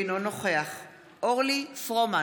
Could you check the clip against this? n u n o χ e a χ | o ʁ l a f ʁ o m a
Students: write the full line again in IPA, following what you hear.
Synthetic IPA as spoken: n o n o χ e a χ | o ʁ l i f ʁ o m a

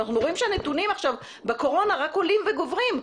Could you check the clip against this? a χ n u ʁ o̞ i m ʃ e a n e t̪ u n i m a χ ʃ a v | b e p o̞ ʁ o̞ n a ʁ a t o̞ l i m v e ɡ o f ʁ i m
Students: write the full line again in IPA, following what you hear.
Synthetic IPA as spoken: a χ n u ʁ o̞ i m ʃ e a n e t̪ u n i m a χ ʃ a v | b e k o̞ ʁ o̞ n a ʁ a k o̞ l i m v e ɡ o v ʁ i m

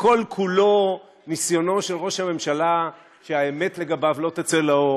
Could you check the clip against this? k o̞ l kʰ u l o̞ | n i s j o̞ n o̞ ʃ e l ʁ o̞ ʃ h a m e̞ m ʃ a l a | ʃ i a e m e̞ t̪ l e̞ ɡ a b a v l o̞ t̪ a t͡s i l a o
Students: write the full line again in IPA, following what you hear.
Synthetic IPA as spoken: k o̞ l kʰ u l o̞ | n i s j o̞ n o̞ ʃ e l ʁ o̞ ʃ h a m e̞ m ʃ a l a | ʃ e a e m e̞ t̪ l e̞ ɡ a b a v l o̞ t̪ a t͡s e l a o

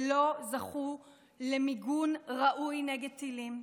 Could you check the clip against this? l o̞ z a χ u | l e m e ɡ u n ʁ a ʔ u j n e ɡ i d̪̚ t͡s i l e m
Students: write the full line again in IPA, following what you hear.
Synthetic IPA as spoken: l o̞ z a χ u | l e m i ɡ u n ʁ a ʔ u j n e ɡ e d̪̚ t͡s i l i m

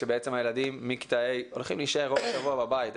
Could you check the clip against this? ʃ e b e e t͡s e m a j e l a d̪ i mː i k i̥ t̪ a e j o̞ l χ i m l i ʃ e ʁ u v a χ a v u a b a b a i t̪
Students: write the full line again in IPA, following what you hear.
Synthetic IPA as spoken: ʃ e b e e t͡s e m a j e l a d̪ i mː i k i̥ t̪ a e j o̞ l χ i m l i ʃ e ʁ o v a ʃ a v u a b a b a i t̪

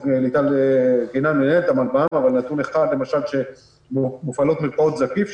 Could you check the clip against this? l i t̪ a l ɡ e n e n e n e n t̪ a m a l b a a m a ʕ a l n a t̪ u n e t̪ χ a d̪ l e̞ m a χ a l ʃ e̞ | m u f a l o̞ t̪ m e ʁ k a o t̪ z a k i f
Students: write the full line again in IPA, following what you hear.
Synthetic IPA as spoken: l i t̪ a l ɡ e n a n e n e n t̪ a m a l b a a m a v a l n a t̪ u n e χ a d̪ l e̞ m a ʃ a l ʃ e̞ | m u f a l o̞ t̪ m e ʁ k a o t̪ z a k i f

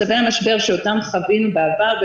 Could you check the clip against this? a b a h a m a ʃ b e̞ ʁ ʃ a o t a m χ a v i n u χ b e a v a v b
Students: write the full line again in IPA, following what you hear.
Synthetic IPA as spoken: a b e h a m a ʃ b e̞ ʁ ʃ e o t a m χ a v i n u b e a v a ʁ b

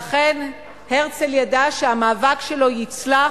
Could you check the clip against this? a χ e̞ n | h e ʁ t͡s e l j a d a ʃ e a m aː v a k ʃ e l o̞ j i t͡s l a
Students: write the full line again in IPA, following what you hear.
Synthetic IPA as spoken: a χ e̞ n | h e ʁ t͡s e l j a d a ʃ e a m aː v a k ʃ e l o̞ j i t͡s l a

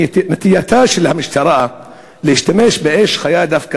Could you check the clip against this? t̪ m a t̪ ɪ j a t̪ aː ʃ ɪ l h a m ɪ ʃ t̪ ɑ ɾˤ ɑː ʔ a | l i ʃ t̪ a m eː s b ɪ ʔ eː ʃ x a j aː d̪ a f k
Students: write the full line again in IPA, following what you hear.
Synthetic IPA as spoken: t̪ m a t̪ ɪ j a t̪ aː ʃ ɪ l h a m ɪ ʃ t̪ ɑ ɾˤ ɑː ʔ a | l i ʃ t̪ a m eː ʃ b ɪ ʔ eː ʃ x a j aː d̪ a f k

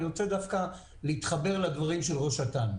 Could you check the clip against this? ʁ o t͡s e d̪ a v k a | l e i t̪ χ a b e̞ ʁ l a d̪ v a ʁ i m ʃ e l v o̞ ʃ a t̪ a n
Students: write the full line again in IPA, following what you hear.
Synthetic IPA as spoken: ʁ o t͡s e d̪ a f k a | l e i t̪ χ a b e̞ ʁ l a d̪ v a ʁ i m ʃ e l ʁ o̞ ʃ a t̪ a n

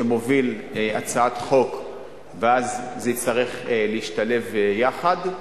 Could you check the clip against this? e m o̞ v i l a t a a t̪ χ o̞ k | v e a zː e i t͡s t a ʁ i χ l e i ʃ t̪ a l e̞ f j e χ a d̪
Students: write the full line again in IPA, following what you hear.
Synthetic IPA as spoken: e m o̞ v i l a t͡s a a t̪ χ o̞ k | v e a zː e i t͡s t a ʁ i χ l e i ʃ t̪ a l e̞ v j a χ a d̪

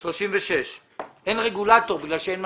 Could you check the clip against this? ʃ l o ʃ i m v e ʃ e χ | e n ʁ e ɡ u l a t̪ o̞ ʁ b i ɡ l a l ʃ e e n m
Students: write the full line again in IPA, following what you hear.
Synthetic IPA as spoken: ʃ l o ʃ i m v e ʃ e ʃ | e n ʁ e ɡ u l a t̪ o̞ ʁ b i ɡ l a l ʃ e e n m

